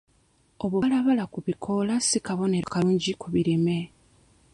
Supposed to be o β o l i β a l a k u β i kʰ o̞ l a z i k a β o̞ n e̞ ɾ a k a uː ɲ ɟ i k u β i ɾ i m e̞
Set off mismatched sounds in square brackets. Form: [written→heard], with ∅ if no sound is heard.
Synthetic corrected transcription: o β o l [i→a] β a l a k u β i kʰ o̞ l a [z→s] i k a β o̞ n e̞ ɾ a k a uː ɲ ɟ i k u β i ɾ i m e̞